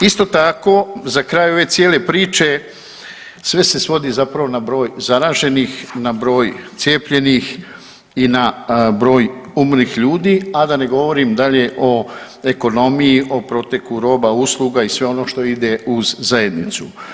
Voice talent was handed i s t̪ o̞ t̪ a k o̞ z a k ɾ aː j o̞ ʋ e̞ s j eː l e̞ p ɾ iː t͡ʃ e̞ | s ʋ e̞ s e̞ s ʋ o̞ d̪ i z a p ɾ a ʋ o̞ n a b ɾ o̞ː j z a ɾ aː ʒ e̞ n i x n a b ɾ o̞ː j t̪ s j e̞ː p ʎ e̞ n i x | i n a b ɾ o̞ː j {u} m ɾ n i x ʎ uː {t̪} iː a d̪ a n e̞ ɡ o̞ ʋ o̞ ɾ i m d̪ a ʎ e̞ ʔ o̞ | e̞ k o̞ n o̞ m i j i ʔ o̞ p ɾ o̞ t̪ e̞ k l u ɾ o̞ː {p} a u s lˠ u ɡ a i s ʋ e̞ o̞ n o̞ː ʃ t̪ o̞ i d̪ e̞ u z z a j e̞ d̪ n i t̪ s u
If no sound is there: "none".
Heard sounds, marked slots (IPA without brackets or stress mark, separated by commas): u, d̪, b